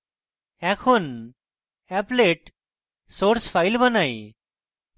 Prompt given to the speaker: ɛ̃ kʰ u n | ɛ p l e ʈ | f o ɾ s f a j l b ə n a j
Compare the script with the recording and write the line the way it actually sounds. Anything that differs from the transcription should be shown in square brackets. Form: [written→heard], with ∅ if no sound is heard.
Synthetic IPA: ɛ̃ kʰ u n | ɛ p l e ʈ | [f→s] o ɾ s f a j l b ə n a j